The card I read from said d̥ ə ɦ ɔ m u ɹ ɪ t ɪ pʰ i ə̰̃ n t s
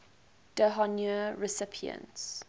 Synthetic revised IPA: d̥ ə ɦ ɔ n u ɹ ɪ s ɪ pʰ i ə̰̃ n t s